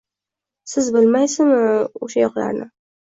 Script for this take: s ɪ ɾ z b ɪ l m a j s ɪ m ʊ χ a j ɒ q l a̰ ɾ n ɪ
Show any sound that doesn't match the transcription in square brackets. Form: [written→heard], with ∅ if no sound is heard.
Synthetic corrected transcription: s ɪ [ɾ→∅] z b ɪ l m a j s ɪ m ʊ [χ→ʃ] a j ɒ q l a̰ ɾ n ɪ